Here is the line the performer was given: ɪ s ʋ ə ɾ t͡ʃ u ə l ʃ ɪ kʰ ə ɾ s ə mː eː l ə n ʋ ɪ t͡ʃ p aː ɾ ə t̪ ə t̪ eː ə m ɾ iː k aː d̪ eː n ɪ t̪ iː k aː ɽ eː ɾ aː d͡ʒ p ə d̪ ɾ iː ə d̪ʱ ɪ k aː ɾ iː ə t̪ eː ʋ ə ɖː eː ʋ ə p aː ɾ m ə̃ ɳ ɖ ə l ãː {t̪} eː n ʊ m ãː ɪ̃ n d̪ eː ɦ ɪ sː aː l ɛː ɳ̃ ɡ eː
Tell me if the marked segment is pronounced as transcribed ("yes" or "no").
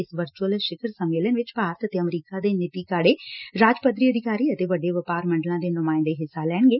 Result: no